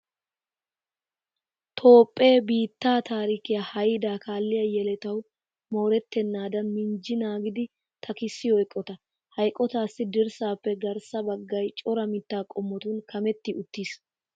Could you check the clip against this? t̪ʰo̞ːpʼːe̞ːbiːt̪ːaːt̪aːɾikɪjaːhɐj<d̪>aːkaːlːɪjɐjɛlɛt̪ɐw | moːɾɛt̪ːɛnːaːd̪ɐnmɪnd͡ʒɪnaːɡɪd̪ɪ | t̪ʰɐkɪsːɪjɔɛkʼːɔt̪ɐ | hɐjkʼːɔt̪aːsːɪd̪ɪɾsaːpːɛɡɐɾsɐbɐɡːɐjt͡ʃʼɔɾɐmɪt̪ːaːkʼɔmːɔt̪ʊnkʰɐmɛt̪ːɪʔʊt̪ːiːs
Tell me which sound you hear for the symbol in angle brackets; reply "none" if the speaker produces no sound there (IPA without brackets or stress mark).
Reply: d̪